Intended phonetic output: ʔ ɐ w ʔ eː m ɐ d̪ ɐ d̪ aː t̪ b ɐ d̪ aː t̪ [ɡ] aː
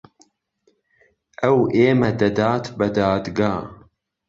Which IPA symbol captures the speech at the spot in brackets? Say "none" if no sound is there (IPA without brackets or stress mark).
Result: ɡ